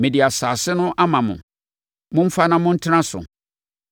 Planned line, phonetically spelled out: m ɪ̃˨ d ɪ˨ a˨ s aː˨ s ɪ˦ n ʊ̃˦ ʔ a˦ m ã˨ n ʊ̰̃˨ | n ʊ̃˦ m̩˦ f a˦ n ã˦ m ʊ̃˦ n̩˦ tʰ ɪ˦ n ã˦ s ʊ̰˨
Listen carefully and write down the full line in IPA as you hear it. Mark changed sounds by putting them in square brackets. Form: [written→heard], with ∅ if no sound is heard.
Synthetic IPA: m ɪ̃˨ d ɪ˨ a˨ s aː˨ s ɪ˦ n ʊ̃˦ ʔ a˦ m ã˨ [n→m] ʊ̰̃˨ | [n→m] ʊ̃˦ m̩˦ f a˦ n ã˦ m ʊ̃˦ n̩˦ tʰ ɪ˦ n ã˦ s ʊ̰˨